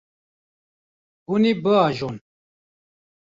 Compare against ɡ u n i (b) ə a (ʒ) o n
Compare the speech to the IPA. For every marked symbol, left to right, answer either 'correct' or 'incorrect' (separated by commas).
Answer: correct, correct